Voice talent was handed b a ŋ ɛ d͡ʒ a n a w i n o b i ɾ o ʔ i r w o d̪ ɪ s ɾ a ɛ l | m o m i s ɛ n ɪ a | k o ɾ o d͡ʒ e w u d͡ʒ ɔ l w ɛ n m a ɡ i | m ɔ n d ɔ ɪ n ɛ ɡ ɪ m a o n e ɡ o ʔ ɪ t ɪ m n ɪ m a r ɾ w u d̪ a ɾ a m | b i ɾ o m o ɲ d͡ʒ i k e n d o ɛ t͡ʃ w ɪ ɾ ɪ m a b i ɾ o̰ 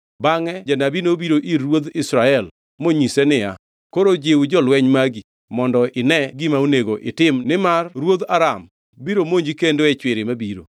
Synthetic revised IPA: b a ŋ ɛ d͡ʒ a n a b i n o b i ɾ o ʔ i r w o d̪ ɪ s ɾ a ɛ l | m o ɲ i s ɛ n ɪ a | k o ɾ o d͡ʒ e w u d͡ʒ ɔ l w ɛ ɲ m a ɡ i | m ɔ n d ɔ ɪ n ɛ ɡ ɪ m a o n e ɡ o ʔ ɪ t ɪ m n ɪ m a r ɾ w o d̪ a ɾ a m | b i ɾ o m o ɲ d͡ʒ i k e n d o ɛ t͡ʃ w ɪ ɾ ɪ m a b i ɾ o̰